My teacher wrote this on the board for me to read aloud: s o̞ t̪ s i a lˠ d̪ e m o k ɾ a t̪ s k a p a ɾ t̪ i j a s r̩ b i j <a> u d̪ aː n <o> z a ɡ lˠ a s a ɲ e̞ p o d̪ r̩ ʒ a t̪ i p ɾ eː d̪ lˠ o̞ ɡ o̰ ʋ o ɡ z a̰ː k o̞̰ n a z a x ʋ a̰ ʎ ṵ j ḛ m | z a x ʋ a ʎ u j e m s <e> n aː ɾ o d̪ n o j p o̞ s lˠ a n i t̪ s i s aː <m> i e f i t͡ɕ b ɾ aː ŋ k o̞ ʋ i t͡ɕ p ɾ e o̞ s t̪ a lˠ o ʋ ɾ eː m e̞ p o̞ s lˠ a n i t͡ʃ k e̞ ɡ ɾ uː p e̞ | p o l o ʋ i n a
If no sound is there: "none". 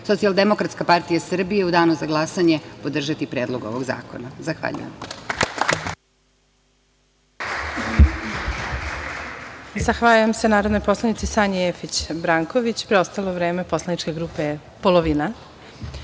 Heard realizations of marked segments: e, u, e, ɲ

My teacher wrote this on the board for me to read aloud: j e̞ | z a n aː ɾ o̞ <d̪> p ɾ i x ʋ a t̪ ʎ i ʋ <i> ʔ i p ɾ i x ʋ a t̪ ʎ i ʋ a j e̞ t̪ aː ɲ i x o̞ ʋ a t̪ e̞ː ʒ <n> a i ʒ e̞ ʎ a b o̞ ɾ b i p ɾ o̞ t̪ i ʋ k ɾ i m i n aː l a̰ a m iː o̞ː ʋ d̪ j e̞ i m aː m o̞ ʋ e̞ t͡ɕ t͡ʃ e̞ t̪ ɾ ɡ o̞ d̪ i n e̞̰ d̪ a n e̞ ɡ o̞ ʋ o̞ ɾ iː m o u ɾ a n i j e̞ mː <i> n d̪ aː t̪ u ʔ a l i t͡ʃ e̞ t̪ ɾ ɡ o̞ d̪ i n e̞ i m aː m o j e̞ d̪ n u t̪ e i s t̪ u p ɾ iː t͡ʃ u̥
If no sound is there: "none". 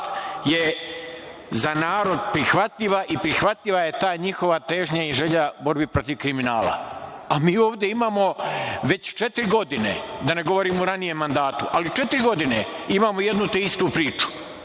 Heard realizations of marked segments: d̪, a, ɲ, a

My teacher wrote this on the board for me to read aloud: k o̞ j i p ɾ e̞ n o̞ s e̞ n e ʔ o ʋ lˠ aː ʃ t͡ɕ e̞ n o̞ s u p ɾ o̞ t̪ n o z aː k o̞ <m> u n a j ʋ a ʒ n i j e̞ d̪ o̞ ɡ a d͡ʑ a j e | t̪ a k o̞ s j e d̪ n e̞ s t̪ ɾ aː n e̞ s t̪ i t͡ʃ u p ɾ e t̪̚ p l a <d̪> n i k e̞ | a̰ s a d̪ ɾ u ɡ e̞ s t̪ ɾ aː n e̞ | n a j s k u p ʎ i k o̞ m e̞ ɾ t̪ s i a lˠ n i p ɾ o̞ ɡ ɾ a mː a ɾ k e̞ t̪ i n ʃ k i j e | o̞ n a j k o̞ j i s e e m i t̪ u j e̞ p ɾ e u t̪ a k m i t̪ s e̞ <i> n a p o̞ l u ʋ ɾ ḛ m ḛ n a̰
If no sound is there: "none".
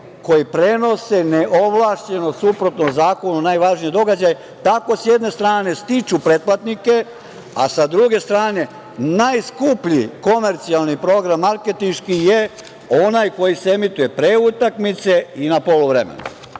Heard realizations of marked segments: n, t̪, i

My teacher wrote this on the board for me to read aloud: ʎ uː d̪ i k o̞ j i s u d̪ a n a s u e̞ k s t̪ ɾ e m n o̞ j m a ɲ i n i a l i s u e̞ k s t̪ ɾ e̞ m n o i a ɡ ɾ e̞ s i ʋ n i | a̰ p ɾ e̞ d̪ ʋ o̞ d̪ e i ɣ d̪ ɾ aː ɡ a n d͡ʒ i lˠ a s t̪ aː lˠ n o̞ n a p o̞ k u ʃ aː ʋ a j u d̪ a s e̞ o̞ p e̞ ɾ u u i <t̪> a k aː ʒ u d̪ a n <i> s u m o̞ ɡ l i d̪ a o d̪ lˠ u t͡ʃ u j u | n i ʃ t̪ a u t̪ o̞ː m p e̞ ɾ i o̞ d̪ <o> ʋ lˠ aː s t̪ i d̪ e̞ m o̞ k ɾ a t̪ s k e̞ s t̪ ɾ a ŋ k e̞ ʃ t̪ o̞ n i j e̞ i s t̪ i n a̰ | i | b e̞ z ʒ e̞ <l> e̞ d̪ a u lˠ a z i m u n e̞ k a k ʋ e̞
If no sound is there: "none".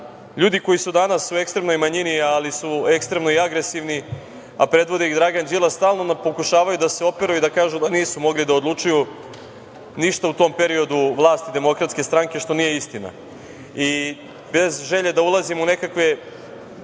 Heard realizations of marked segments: d̪, iː, u, ʎ

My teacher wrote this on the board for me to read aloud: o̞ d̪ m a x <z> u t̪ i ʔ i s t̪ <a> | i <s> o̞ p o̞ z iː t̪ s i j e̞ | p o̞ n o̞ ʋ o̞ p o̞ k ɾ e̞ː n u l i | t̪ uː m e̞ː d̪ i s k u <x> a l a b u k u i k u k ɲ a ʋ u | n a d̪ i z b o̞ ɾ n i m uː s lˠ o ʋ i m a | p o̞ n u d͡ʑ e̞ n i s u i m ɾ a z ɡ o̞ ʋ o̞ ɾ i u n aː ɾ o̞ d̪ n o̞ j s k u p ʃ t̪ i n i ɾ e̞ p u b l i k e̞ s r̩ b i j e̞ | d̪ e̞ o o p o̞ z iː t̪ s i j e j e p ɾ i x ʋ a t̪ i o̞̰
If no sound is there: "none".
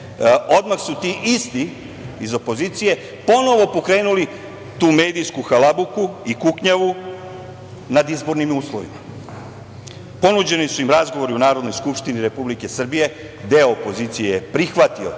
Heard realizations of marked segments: s, i, z, x

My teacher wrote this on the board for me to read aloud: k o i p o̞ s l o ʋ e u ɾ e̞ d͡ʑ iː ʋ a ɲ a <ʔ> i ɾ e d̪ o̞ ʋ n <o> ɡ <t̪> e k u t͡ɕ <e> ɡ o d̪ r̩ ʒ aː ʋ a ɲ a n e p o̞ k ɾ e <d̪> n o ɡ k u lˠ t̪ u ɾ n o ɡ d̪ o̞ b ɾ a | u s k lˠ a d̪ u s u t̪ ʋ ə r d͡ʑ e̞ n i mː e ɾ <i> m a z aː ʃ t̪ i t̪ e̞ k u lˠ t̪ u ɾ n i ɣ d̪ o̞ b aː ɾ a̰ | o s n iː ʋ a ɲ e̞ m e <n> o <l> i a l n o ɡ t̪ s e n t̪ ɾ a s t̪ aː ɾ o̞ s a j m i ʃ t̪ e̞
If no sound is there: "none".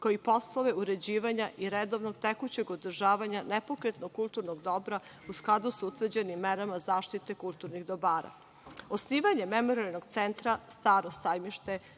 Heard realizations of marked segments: ʔ, o, t̪, e, t̪, a, m, ɾ

